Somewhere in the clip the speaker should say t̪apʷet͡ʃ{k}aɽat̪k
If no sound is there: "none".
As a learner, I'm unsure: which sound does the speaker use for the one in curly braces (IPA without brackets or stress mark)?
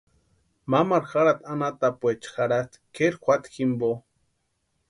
x